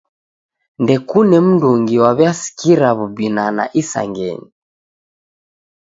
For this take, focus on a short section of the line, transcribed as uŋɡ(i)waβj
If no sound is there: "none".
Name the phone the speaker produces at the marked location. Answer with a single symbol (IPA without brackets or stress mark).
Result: i